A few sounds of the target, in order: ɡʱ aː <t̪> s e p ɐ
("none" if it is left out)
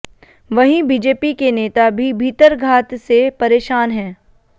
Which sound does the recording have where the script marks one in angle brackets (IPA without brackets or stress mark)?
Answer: t̪